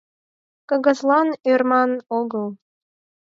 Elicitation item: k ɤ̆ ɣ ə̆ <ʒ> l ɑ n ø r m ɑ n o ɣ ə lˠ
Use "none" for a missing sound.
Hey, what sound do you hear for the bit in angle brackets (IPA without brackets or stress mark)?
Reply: z